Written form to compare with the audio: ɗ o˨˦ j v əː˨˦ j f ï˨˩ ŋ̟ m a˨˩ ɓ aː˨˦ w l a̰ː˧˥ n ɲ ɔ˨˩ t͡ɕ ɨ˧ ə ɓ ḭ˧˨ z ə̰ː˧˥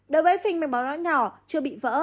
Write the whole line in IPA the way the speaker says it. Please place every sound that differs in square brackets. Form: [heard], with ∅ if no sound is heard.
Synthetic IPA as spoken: ɗ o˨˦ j v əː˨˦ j f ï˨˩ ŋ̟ m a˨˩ ɓ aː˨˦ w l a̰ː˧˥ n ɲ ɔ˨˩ t͡ɕ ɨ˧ ə ɓ ḭ˧˨ [v] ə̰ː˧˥